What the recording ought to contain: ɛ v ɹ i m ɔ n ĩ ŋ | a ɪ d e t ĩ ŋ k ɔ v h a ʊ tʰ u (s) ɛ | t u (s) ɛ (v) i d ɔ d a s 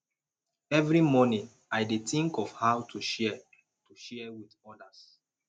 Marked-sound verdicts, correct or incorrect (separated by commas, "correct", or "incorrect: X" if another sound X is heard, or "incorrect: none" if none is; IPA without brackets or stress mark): incorrect: ʃ, incorrect: ʃ, incorrect: w